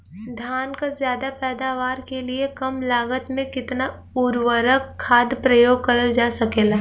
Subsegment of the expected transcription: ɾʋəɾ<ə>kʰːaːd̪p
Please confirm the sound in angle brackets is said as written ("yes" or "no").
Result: yes